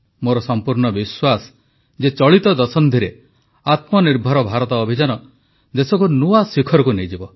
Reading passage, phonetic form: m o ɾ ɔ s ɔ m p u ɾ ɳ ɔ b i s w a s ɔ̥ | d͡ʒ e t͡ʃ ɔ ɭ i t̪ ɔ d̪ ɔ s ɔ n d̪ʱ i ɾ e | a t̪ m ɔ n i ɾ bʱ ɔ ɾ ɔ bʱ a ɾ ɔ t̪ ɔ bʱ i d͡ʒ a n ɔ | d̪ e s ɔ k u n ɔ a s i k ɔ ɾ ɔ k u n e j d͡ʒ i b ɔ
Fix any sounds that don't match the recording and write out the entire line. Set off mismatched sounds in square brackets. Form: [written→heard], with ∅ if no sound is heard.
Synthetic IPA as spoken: m o ɾ ɔ s ɔ m p u ɾ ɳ ɔ b i s w a s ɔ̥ | d͡ʒ e t͡ʃ ɔ ɭ i t̪ ɔ d̪ ɔ s ɔ n d̪ʱ i ɾ e | a t̪ m ɔ n i ɾ bʱ ɔ ɾ ɔ bʱ a ɾ ɔ t̪ [ɔ→ɔː] bʱ i d͡ʒ a n ɔ | d̪ e s ɔ k u n [ɔ→u] a s i [k→kʰ] ɔ ɾ ɔ k u n e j d͡ʒ i b ɔ